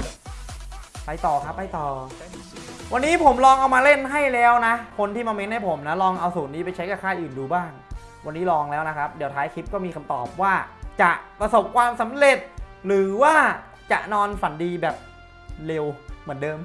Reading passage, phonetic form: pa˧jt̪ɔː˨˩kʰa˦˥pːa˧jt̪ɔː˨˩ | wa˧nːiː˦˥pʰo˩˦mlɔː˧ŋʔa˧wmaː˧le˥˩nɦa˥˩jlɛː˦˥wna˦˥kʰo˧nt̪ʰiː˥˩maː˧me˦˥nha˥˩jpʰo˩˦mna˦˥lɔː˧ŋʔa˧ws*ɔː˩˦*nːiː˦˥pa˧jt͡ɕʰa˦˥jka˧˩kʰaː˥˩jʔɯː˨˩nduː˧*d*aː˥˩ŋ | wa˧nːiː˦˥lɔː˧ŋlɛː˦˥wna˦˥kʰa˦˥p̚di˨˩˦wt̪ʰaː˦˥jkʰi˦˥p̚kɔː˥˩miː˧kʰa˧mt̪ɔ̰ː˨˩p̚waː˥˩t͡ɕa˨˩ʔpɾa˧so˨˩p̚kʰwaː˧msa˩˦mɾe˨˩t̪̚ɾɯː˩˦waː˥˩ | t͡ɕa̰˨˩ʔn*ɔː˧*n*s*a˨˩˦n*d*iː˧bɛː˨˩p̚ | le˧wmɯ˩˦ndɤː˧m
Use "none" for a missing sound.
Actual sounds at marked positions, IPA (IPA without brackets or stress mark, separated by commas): uː˩˦, b, ɔː˧, f, d